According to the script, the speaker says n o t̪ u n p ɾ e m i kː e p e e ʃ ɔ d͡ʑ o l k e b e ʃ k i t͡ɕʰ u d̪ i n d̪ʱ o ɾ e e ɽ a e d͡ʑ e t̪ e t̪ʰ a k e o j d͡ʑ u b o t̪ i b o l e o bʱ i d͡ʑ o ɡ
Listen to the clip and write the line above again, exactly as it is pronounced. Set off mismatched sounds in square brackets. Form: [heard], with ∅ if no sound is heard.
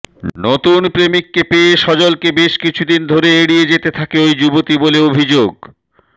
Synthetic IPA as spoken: n o t̪ u n p ɾ e m i kː e p e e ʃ ɔ d͡ʑ o l k e b e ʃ k i t͡ɕʰ u d̪ i n d̪ʱ o ɾ e e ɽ [i] e d͡ʑ e t̪ e t̪ʰ a k e o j d͡ʑ u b o t̪ i b o l e o bʱ i d͡ʑ o ɡ